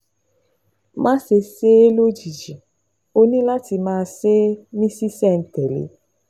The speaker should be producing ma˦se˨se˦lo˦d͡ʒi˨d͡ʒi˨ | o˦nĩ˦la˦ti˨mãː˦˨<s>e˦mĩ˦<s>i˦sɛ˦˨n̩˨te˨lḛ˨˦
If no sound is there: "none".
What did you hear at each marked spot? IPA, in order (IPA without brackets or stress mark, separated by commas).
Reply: s, s